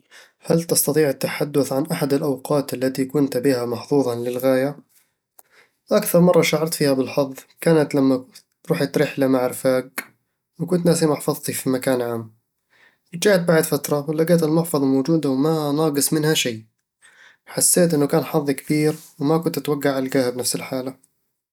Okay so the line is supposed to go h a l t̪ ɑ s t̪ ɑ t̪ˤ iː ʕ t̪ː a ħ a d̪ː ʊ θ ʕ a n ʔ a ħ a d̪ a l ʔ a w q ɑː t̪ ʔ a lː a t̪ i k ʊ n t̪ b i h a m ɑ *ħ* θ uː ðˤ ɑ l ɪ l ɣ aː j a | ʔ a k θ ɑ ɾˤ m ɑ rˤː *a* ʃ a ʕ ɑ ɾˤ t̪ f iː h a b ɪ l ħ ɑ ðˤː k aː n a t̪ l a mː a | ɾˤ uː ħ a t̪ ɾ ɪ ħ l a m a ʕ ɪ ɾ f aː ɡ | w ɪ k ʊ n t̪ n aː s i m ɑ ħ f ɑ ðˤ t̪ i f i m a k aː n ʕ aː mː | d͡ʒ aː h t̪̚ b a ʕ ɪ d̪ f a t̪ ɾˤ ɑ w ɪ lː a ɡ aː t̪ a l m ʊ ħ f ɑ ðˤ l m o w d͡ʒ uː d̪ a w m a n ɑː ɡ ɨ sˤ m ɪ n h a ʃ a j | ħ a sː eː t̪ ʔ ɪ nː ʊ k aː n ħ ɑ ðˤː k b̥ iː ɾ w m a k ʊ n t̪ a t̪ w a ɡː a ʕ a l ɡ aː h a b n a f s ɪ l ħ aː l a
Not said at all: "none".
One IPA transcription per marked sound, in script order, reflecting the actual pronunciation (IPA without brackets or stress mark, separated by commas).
ħ, ɑ